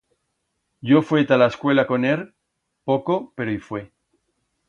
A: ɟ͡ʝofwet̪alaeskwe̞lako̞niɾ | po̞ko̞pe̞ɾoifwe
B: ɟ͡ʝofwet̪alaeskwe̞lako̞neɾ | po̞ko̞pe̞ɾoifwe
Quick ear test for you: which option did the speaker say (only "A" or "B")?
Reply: B